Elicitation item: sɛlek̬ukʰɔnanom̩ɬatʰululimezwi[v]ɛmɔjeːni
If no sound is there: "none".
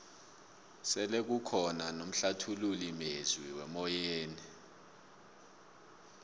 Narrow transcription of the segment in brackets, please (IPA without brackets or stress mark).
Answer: w